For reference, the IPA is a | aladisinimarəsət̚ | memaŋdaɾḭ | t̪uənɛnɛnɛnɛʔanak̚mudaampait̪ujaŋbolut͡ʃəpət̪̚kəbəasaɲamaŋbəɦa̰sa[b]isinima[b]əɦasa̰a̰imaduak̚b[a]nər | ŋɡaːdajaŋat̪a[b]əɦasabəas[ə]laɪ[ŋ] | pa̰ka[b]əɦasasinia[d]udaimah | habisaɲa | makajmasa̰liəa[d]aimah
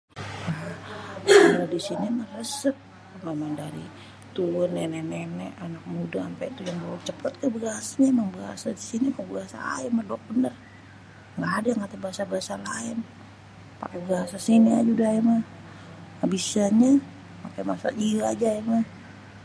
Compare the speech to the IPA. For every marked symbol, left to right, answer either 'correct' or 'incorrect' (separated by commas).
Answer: incorrect, correct, incorrect, correct, incorrect, incorrect, correct, incorrect, incorrect